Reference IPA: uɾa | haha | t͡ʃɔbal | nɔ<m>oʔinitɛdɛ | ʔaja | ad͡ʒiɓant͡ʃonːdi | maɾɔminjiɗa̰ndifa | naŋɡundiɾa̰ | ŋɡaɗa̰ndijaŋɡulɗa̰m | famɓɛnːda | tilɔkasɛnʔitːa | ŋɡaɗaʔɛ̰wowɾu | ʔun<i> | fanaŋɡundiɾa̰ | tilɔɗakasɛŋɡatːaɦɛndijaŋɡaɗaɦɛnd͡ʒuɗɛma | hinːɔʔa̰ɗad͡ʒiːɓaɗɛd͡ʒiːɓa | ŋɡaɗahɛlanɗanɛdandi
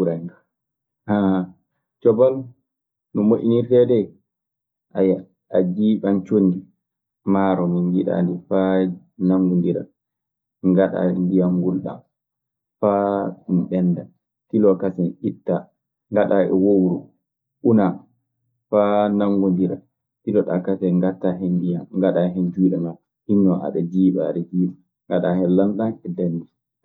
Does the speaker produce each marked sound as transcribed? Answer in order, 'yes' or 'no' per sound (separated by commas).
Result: yes, no